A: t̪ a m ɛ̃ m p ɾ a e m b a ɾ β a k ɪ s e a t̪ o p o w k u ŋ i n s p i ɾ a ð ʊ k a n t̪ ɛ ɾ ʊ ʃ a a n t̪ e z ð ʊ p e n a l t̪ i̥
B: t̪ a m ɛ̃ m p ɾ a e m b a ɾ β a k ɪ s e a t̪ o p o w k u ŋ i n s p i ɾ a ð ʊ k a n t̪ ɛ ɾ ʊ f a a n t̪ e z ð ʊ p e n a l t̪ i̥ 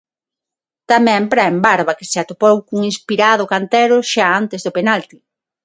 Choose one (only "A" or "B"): A